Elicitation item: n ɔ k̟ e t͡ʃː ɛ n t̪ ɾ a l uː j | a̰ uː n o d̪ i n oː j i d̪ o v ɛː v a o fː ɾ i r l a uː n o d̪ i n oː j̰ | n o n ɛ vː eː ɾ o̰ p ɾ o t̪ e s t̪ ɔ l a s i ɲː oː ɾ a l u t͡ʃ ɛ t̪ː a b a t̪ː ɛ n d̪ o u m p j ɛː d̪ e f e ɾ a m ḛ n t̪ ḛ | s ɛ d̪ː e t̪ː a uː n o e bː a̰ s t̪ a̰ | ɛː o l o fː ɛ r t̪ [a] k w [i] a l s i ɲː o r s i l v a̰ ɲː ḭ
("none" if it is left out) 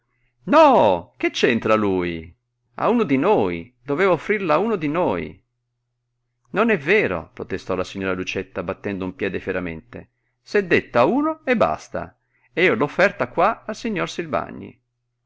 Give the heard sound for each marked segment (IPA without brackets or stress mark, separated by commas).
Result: a, a